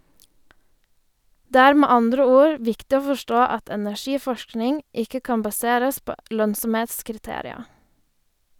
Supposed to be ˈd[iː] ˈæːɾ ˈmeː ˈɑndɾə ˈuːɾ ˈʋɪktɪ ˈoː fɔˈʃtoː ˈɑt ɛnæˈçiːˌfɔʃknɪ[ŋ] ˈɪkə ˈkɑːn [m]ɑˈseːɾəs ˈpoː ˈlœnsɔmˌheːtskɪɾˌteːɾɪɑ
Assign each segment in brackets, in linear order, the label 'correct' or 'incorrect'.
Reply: incorrect: eː, correct, incorrect: b

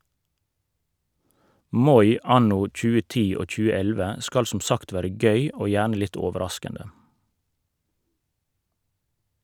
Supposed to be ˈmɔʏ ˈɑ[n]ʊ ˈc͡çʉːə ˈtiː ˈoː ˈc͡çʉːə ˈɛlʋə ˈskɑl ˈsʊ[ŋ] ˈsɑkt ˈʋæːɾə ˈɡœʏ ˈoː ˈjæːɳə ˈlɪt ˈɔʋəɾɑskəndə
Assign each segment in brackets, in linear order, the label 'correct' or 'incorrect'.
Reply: correct, incorrect: m

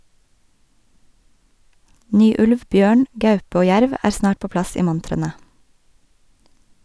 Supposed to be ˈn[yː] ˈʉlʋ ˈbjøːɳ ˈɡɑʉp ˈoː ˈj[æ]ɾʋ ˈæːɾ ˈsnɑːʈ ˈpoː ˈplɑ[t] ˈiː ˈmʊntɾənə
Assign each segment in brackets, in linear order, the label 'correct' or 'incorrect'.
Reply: correct, correct, incorrect: s

